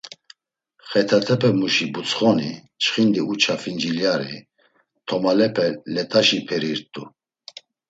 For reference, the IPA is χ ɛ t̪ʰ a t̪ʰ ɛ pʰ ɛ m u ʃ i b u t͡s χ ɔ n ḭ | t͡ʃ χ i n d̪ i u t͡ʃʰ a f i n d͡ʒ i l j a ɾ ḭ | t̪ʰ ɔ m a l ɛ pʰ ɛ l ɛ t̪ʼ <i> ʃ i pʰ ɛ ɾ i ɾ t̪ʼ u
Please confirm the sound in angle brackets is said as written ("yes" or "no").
no